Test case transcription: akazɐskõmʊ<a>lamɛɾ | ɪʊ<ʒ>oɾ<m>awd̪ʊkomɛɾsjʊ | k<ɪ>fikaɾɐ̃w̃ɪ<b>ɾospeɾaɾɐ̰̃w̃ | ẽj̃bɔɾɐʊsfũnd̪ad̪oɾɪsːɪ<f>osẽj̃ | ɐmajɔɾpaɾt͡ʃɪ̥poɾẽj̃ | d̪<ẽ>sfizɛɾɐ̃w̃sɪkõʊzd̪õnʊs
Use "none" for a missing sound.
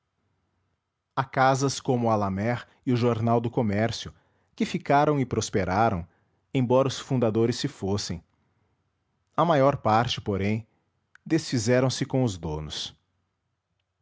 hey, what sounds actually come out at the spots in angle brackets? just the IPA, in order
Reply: a, ʒ, n, ɪ, p, f, e

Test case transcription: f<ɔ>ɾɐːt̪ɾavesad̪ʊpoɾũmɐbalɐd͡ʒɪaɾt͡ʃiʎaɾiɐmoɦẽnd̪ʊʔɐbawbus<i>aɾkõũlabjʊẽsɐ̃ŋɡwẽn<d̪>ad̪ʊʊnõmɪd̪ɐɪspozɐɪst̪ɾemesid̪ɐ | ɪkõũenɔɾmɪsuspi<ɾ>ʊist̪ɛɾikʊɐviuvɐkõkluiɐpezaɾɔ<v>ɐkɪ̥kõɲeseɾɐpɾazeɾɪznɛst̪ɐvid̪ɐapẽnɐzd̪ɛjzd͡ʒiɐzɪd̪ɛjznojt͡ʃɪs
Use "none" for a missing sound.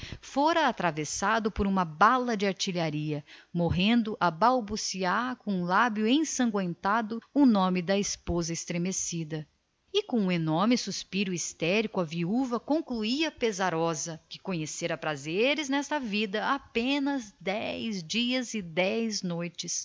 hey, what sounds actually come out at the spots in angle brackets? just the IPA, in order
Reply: o, i, t̪, ɾ, z

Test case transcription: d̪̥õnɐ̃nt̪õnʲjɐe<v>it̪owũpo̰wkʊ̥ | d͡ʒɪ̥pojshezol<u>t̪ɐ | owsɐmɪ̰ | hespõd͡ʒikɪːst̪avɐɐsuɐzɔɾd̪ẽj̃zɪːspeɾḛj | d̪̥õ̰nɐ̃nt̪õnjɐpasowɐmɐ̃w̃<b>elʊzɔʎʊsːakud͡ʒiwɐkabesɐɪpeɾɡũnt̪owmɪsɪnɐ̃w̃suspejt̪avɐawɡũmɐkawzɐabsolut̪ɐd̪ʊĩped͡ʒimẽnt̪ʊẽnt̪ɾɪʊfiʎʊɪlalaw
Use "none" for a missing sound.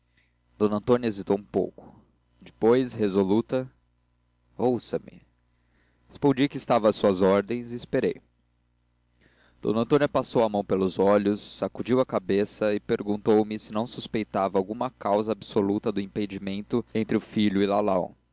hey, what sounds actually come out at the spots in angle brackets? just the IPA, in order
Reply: z, u, p

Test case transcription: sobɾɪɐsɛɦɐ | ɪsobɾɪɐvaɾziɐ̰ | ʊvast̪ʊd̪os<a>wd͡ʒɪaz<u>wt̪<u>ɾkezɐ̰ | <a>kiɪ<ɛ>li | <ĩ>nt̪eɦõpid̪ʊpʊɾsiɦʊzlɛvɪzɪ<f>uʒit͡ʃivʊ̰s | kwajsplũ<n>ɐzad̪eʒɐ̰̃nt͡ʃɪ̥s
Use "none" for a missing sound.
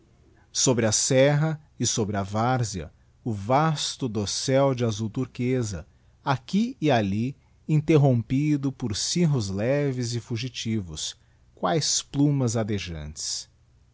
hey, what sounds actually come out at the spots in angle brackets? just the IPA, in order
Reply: ɛ, u, u, a, a, ĩ, f, m

